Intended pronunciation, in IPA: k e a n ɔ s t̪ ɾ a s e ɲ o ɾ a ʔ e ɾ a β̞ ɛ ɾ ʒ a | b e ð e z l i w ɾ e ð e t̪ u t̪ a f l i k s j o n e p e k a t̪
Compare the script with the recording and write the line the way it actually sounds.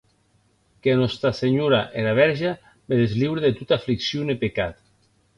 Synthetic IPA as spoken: k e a n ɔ s t̪ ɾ a s e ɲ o ɾ a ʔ e ɾ a β̞ ɛ ɾ ʒ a | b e ð e z l i w ɾ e ð e t̪ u t̪ a f l i k s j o n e p e k a t̪